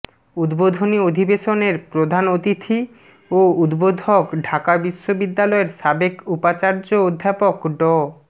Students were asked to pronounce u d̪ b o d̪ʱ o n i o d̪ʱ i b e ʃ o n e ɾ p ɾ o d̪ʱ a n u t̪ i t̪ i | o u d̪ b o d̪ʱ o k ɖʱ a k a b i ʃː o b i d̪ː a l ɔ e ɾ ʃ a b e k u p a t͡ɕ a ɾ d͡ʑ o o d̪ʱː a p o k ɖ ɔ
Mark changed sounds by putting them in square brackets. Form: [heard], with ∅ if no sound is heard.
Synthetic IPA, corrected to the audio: u d̪ b o d̪ʱ o n i o d̪ʱ i b e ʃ o n e ɾ p ɾ o d̪ʱ a n [o] t̪ i [t̪ʰ] i | o u d̪ b o d̪ʱ o k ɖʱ a k a b i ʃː o b i d̪ː a l ɔ e ɾ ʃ a b e k u p a t͡ɕ a ɾ d͡ʑ o o d̪ʱː a p o k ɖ ɔ